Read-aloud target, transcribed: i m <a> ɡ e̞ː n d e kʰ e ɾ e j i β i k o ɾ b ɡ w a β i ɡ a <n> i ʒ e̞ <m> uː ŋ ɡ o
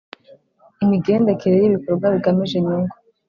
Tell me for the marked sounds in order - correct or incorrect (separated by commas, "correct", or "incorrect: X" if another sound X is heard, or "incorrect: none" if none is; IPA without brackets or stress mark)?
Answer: incorrect: i, incorrect: m, incorrect: ɲ